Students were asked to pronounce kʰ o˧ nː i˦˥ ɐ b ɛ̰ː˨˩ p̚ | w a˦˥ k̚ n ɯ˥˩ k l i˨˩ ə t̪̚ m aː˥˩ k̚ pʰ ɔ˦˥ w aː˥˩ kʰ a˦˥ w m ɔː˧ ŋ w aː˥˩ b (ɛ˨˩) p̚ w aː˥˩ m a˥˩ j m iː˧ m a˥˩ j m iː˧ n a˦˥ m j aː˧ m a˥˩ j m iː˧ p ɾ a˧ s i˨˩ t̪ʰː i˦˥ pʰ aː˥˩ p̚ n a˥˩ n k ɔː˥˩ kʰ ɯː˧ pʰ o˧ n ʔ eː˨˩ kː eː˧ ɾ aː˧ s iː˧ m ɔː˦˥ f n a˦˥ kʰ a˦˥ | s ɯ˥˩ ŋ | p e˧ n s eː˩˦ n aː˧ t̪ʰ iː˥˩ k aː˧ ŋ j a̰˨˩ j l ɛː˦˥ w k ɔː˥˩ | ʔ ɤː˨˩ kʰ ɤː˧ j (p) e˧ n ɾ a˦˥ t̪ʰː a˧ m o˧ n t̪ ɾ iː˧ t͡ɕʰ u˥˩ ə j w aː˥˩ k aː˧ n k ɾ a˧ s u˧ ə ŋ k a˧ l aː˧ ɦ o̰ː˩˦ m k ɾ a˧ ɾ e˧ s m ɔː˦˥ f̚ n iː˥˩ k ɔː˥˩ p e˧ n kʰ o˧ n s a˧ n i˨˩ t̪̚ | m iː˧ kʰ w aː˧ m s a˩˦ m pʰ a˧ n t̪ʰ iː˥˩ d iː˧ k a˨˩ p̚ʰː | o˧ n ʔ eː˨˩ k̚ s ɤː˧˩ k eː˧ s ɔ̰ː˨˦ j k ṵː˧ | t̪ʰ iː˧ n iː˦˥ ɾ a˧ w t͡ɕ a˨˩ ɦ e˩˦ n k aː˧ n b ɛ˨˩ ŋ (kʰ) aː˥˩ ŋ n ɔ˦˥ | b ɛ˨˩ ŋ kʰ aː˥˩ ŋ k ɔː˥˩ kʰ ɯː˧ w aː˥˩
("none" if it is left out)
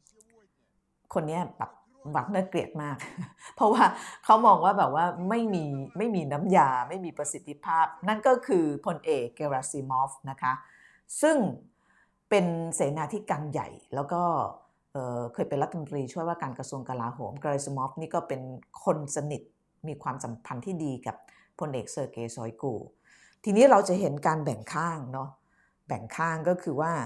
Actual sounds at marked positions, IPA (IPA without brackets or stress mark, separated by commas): ɛː˨˩, p, kʰ